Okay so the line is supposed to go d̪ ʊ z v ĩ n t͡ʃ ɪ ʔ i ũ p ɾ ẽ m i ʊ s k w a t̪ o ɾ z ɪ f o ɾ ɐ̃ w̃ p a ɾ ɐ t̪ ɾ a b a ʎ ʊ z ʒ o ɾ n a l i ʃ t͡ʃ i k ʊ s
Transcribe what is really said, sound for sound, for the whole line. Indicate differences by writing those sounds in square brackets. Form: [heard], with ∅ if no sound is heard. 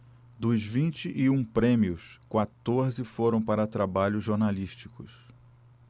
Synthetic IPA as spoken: d̪ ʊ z v ĩ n t͡ʃ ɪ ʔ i ũ p ɾ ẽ m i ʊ s k w a t̪ o ɾ z ɪ f o ɾ ɐ̃ w̃ p a ɾ ɐ t̪ ɾ a b a ʎ ʊ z ʒ o ɾ n a l i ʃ t͡ʃ i k ʊ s

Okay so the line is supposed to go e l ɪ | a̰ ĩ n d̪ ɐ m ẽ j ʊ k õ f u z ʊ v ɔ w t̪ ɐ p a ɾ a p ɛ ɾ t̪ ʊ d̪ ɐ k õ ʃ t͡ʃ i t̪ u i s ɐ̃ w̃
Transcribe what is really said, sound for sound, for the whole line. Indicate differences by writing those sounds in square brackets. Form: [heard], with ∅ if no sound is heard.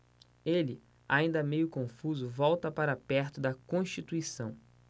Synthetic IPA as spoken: e l ɪ | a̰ ĩ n d̪ ɐ m [e] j ʊ k õ f u z ʊ v ɔ w t̪ ɐ p a ɾ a p ɛ ɾ t̪ ʊ d̪ ɐ k õ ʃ t͡ʃ i t̪ u i s ɐ̃ w̃

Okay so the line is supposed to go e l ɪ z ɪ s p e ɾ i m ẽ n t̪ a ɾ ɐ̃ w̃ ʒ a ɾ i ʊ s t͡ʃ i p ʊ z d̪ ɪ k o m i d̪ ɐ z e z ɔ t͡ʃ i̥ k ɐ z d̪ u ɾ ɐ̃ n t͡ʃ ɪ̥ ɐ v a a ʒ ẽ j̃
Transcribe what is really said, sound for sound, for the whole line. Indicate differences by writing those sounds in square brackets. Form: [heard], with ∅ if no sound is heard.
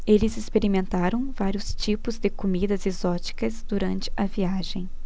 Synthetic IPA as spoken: e l ɪ z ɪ s p e ɾ i m ẽ n t̪ a ɾ ɐ̃ w̃ [v] a ɾ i ʊ s t͡ʃ i p ʊ z d̪ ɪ k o m i d̪ ɐ z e z ɔ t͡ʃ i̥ k ɐ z d̪ u ɾ ɐ̃ n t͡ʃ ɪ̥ ɐ v [i] a ʒ ẽ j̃

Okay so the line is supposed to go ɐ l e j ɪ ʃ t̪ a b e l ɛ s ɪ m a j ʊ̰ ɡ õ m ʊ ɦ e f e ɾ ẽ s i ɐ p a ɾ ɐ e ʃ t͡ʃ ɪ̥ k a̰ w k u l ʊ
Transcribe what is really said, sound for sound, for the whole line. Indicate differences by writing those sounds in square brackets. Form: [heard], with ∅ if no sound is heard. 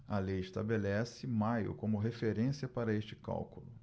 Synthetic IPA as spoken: ɐ l e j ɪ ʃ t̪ a b e l ɛ s ɪ m a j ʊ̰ [k] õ m ʊ ɦ e f e ɾ ẽ s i ɐ p a ɾ ɐ e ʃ t͡ʃ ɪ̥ k a̰ w k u l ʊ

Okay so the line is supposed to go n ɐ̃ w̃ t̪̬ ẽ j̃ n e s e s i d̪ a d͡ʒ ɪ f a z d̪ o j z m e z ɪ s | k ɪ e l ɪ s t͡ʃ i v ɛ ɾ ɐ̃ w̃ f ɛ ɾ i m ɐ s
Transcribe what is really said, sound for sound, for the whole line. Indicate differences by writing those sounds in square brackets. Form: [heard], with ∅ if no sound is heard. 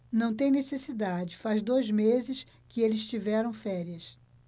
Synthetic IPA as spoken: n ɐ̃ w̃ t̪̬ ẽ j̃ n e s e s i d̪ a d͡ʒ ɪ f a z d̪ o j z m e z ɪ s | k ɪ e l ɪ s t͡ʃ i v ɛ ɾ ɐ̃ w̃ f ɛ ɾ i [∅] ɐ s

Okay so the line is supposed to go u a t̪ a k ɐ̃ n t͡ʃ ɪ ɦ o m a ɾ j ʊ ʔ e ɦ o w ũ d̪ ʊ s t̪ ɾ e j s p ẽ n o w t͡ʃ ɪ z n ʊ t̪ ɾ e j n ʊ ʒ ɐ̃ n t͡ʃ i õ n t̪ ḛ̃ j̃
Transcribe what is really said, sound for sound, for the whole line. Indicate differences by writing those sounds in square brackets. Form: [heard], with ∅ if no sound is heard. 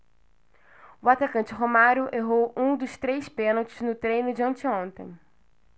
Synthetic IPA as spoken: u a t̪ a k ɐ̃ n t͡ʃ ɪ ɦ o m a ɾ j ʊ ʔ e ɦ o w ũ d̪ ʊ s t̪ ɾ e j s p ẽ n o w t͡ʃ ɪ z n ʊ t̪ ɾ e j n ʊ [d͡ʒ] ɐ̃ n t͡ʃ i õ n t̪ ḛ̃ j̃

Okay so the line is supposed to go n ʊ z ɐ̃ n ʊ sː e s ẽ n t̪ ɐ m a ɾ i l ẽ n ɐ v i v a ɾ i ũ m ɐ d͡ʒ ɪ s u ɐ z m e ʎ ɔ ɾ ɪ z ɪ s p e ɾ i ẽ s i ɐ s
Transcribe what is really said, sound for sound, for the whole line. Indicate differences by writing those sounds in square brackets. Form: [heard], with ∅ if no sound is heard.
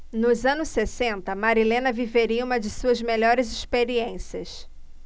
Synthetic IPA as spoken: n ʊ z ɐ̃ n ʊ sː e s ẽ n t̪ ɐ m a ɾ i l ẽ n ɐ v i v [e] ɾ i ũ m ɐ d͡ʒ ɪ s u ɐ z m e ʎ ɔ ɾ ɪ z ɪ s p e ɾ i ẽ s i ɐ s

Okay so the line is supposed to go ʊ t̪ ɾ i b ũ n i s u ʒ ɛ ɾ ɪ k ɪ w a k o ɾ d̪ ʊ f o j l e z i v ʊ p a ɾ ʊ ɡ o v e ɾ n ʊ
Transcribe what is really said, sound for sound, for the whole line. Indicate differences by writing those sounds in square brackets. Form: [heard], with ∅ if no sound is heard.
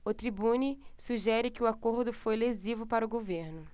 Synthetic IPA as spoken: ʊ t̪ ɾ i b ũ n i s u ʒ ɛ ɾ ɪ k ɪ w a k o ɾ d̪ ʊ f o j l e z i v ʊ p a ɾ ʊ ɡ o v e ɾ n ʊ

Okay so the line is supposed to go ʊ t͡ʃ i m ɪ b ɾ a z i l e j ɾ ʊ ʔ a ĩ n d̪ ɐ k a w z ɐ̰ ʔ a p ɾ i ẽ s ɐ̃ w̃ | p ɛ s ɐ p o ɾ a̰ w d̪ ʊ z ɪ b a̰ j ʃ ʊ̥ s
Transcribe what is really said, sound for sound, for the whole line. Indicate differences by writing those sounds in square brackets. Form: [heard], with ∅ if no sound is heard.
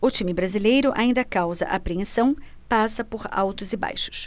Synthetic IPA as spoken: ʊ t͡ʃ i m ɪ b ɾ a z i l e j ɾ ʊ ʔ a ĩ n d̪ ɐ k a w z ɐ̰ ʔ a p ɾ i ẽ s ɐ̃ w̃ | p [a] s ɐ p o ɾ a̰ w [t̪] ʊ z ɪ b a̰ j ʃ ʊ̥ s

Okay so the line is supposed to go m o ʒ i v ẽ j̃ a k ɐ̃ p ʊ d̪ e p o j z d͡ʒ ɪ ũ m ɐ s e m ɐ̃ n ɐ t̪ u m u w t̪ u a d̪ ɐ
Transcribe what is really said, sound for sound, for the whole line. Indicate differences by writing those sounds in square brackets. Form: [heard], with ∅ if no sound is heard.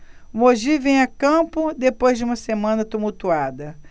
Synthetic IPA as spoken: m o ʒ i v ẽ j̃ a k ɐ̃ p ʊ d̪ e p o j z d͡ʒ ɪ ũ m ɐ s e m ɐ̃ n ɐ t̪ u m u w t̪ u a d̪ ɐ

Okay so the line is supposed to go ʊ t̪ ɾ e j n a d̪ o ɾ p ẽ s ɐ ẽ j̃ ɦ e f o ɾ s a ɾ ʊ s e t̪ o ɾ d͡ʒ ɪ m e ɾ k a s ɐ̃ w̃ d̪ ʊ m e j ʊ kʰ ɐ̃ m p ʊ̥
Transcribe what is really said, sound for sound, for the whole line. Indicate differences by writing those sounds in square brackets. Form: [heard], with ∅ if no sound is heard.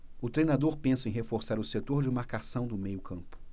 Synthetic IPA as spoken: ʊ t̪ ɾ e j n a d̪ o ɾ p ẽ s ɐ ẽ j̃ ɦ e f o ɾ s a ɾ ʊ s e t̪ o ɾ d͡ʒ ɪ m [a] ɾ k a s ɐ̃ w̃ d̪ ʊ m e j ʊ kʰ ɐ̃ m p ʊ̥

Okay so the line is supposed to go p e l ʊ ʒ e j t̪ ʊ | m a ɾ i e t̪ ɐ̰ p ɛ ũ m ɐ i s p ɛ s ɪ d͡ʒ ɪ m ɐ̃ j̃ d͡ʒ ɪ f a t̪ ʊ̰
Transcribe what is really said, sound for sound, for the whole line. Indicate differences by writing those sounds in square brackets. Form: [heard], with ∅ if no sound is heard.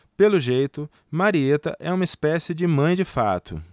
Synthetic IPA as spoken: p e l ʊ ʒ e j t̪ ʊ | m a ɾ i e t̪ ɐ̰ [ʔ] ɛ ũ m ɐ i s p ɛ s ɪ d͡ʒ ɪ m ɐ̃ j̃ d͡ʒ ɪ f a t̪ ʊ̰

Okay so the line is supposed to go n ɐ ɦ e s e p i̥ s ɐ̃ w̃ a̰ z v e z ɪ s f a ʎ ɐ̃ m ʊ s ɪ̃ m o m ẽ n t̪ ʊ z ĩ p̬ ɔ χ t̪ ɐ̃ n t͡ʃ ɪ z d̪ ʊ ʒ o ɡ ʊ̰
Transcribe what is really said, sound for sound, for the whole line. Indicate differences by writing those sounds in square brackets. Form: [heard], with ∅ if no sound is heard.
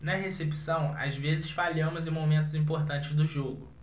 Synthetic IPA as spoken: n ɐ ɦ e s e p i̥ s ɐ̃ w̃ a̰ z v e z ɪ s f a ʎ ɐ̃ m ʊ [z] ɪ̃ m o m ẽ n t̪ ʊ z ĩ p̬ [o] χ t̪ ɐ̃ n t͡ʃ ɪ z d̪ ʊ ʒ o ɡ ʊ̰

